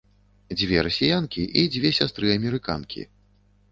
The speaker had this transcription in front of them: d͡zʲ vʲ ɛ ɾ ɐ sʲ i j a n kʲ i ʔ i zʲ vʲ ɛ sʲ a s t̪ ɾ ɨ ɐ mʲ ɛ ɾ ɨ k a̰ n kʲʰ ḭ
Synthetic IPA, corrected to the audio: d͡zʲ vʲ ɛ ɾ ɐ sʲ i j a n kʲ i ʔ i d͡zʲ vʲ ɛ sʲ a s t̪ ɾ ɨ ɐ mʲ ɛ ɾ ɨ k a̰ n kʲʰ ḭ